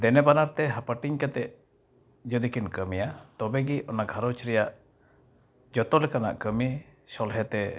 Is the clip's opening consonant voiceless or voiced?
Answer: voiced